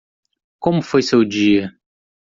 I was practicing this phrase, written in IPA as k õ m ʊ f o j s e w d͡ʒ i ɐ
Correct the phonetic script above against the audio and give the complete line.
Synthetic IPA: k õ m ʊ f o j s e w d͡ʒ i ɐ